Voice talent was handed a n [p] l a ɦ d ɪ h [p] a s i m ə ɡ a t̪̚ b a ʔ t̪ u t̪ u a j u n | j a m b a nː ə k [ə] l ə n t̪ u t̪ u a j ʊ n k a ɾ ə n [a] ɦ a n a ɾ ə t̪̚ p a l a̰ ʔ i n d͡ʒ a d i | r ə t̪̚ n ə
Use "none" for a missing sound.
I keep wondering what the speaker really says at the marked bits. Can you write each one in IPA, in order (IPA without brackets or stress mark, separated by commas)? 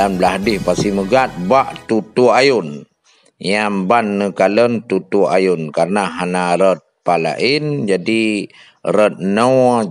b, p, a, a